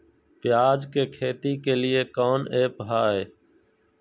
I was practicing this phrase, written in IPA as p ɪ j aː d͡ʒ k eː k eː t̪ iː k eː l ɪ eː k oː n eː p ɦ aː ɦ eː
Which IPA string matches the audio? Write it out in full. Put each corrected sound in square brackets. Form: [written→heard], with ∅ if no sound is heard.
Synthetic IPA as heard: p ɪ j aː d͡ʒ k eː [k→kʰ] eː t̪ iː k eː l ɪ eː k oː n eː p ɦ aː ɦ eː